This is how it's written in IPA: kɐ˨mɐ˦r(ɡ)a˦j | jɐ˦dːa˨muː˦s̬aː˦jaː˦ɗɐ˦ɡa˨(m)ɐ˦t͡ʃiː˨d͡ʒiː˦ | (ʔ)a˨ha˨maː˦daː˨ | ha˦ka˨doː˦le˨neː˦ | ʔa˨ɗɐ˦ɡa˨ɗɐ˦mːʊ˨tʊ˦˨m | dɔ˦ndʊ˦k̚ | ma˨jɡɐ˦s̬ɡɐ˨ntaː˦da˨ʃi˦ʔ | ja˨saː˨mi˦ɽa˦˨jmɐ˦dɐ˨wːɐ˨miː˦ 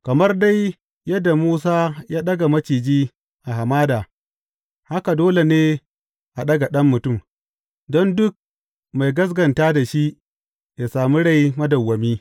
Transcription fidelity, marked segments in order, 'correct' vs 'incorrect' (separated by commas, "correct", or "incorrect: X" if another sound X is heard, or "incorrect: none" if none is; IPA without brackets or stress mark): incorrect: d, correct, correct